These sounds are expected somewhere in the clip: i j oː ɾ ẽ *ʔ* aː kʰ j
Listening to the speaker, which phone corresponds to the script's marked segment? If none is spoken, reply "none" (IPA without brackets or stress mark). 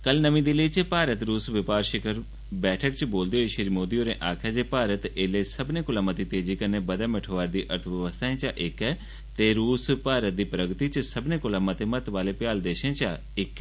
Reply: ʔ